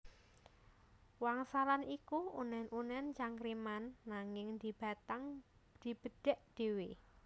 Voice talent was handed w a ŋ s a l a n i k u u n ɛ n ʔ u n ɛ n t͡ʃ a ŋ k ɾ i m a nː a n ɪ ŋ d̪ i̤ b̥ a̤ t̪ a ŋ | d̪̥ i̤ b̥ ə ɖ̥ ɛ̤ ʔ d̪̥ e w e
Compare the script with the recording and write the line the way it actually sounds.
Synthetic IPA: w a ŋ s a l a n i k u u n ɛ n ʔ u n ɛ n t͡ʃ a ŋ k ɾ i m a nː a ŋ ɪ ŋ d̪ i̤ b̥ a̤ t̪ a ŋ | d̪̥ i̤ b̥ ə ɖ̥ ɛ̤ ʔ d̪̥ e w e